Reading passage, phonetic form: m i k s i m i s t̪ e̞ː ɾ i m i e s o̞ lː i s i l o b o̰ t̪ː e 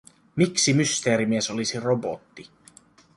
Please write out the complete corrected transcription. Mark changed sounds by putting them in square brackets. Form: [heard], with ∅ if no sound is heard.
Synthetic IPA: m i k s i m [y] s t̪ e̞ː ɾ i m i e s o̞ [l] i s i [r] o b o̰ t̪ː [i]